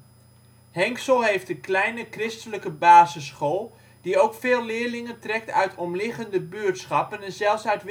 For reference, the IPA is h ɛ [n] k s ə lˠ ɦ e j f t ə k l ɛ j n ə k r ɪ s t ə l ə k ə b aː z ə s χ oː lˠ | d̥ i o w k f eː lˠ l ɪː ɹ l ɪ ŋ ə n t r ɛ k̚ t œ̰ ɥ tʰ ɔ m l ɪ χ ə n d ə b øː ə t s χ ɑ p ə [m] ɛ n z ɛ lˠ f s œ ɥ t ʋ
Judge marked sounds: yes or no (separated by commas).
no, no